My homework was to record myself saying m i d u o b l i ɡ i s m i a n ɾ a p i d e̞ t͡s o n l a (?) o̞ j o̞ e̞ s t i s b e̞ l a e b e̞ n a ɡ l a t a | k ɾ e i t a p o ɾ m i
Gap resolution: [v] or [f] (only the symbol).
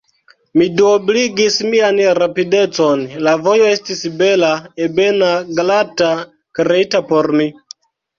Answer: v